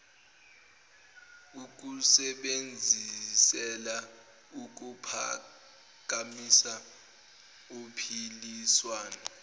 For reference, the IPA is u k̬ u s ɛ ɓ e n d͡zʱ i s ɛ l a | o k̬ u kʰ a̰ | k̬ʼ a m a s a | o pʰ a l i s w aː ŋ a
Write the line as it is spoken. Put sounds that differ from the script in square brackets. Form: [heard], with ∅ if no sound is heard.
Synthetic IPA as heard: u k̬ u s ɛ ɓ e n d͡zʱ i s ɛ l a | [u] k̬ u [pʰ] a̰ | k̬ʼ a m [i] s a | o pʰ [i] l i s w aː [n] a